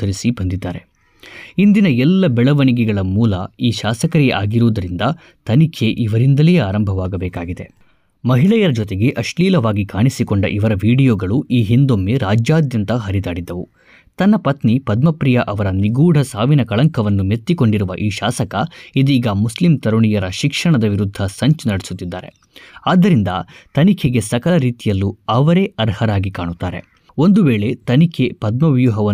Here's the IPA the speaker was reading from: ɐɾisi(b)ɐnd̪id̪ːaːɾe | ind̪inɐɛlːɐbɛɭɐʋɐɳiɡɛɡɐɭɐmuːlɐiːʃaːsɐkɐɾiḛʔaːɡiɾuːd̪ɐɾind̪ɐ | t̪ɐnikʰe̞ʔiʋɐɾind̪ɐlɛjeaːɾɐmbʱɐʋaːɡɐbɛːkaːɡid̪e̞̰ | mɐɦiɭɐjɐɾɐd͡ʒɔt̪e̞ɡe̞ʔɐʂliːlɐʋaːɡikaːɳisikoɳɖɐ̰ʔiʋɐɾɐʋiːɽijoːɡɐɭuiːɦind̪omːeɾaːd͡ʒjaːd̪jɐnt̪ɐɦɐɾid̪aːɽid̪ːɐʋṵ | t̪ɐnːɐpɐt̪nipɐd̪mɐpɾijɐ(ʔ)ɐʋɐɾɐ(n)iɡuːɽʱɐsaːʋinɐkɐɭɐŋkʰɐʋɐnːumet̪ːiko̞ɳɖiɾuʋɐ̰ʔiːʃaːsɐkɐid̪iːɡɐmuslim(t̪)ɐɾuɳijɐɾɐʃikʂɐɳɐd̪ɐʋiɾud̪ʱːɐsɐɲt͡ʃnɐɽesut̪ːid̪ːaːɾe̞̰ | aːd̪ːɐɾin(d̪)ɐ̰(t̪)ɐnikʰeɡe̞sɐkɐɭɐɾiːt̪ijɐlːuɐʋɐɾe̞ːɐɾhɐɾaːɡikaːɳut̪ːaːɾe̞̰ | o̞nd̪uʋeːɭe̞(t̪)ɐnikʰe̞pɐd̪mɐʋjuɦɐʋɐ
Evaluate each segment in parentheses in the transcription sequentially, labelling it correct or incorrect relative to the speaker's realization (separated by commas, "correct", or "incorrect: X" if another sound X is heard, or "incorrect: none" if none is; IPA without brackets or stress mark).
correct, correct, correct, correct, correct, correct, correct